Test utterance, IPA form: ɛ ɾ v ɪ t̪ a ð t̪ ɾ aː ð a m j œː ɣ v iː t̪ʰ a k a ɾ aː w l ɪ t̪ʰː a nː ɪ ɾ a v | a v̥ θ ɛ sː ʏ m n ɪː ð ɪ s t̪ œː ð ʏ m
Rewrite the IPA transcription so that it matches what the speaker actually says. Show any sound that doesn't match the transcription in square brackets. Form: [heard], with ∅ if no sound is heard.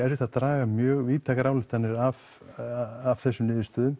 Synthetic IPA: ɛ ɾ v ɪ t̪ a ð t̪ ɾ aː [ɣ] a m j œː ɣ v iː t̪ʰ a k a ɾ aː w l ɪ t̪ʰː a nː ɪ ɾ a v | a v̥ θ ɛ sː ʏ m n ɪː ð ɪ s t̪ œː ð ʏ m